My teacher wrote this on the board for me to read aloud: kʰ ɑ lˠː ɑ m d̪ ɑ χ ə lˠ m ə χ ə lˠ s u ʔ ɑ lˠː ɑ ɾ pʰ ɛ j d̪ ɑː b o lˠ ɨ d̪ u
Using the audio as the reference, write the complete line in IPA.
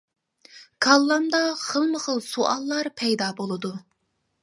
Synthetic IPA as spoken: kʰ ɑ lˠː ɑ m d̪ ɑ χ ə lˠ m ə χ ə lˠ s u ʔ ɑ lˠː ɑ ɾ pʰ ɛ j d̪ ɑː b o lˠ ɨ d̪ u

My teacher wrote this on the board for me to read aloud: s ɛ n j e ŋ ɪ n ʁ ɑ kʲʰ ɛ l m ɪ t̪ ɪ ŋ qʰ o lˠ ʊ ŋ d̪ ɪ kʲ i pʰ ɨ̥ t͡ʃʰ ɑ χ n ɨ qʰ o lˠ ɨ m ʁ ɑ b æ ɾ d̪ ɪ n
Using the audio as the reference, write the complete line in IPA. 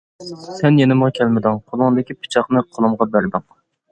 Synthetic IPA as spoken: s ɛ n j e n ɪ m ʁ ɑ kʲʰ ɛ l m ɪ d̪ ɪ ŋ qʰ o lˠ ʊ ŋ d̪ ɪ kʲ i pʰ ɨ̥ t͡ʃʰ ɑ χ n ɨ qʰ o lˠ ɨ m ʁ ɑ b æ ɾ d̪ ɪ ŋ

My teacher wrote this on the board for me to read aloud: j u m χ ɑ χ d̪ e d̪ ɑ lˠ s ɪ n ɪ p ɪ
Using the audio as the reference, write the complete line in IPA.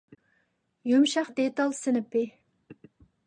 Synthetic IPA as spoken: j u m ʃ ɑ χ d̪ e t̪ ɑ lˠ s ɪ n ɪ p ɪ

